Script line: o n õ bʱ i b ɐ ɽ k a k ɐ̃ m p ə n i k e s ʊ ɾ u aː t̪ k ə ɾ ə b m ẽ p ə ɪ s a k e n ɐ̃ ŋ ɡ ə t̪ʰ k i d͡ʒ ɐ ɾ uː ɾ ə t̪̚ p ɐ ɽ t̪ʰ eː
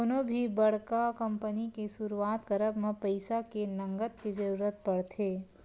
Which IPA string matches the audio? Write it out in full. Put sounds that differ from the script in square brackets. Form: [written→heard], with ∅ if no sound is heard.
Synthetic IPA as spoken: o n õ bʱ i b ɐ ɽ k a k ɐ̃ m p ə n i k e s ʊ ɾ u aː t̪ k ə ɾ ə b m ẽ p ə ɪ s a k e n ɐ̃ ŋ ɡ ə [t̪ʰ→t̪] k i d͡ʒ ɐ ɾ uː ɾ ə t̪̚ p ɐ ɽ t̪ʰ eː